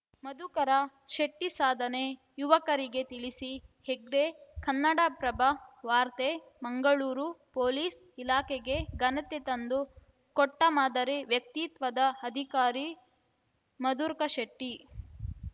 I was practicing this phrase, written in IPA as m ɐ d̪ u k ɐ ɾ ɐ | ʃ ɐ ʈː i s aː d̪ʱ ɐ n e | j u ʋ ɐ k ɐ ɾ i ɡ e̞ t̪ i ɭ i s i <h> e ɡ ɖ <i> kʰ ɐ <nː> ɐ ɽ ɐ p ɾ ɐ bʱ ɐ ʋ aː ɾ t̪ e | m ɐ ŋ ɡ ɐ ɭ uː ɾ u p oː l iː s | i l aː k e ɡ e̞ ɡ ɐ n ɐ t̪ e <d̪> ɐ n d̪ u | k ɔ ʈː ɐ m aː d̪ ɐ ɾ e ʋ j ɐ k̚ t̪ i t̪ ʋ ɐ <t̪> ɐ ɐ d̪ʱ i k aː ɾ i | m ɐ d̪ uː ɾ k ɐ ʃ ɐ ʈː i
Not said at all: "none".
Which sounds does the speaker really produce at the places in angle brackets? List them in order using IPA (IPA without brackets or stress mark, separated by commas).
h, e, nː, t̪, d̪